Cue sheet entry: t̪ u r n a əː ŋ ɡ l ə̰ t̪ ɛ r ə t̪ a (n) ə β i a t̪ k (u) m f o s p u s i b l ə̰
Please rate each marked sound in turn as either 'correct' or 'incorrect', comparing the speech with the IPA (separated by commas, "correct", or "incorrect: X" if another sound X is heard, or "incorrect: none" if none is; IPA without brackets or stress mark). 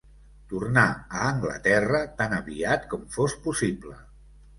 correct, incorrect: ɔ